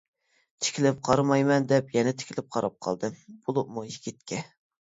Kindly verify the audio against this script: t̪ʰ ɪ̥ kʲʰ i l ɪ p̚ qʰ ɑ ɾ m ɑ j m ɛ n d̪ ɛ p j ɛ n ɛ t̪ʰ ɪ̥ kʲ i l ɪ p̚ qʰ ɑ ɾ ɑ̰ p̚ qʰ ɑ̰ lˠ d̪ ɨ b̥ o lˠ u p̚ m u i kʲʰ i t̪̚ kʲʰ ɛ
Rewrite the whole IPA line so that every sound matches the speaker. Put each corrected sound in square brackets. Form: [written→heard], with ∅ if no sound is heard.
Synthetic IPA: t̪ʰ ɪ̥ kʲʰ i l ɪ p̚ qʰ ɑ ɾ m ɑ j m ɛ n d̪ ɛ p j ɛ n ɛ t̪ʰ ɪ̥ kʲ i l ɪ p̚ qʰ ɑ ɾ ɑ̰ p̚ qʰ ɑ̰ lˠ d̪ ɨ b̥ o lˠ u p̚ m u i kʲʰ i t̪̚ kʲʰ ɛ